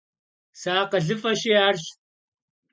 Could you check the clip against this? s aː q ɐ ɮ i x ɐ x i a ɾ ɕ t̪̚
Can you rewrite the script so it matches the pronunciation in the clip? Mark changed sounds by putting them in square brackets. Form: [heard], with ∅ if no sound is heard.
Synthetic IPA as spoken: s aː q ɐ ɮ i [f] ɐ [ɕ] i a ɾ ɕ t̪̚